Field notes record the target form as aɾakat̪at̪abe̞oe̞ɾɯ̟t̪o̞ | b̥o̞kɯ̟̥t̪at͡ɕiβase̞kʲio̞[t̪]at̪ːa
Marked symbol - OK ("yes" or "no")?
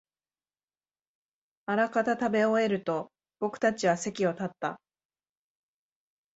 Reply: yes